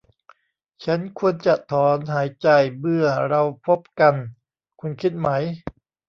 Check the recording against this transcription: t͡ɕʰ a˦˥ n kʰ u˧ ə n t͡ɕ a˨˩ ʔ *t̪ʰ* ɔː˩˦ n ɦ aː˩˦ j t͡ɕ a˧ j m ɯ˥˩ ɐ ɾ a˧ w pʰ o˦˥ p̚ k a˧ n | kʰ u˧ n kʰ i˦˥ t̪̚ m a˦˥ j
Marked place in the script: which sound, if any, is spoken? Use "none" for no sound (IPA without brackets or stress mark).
t̪ʰ